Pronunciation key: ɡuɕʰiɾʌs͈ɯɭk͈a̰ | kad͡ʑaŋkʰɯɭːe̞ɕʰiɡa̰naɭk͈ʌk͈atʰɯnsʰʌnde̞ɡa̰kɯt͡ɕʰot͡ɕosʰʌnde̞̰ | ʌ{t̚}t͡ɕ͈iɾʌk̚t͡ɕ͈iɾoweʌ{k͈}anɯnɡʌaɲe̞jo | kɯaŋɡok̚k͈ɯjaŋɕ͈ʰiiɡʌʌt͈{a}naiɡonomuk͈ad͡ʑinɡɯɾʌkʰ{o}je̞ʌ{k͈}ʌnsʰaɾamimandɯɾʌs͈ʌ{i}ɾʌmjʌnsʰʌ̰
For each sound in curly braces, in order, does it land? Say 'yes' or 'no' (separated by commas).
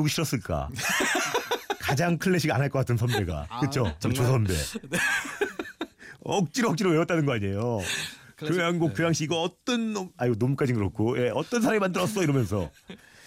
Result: no, no, no, yes, no, yes